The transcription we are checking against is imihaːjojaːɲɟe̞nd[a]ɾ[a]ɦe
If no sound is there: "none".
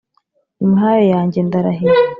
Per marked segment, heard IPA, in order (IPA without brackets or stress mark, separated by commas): a, a